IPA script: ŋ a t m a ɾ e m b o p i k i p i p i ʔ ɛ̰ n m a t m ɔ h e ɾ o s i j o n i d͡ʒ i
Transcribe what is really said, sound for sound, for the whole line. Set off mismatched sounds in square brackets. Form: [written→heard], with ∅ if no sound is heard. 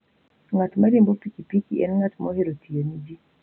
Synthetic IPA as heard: ŋ a t m a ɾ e m b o p i k i p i [p→k] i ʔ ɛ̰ n [m→ŋ] a t m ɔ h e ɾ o [s→t] i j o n i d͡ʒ i